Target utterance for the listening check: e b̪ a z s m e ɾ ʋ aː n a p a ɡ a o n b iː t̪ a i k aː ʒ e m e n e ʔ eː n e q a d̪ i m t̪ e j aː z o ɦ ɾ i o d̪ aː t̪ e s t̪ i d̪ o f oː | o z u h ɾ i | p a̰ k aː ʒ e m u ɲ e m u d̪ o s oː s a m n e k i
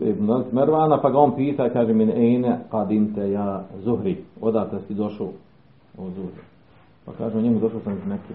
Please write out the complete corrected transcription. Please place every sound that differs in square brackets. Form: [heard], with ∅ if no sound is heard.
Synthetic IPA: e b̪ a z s m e ɾ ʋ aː n a p a ɡ a o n [p] iː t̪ a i k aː ʒ e m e n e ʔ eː n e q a d̪ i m t̪ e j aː z [u] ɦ ɾ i o d̪ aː t̪ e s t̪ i d̪ o [ʃ] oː | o z u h ɾ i | p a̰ k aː ʒ e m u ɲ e m u d̪ o [ʃ] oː s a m n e k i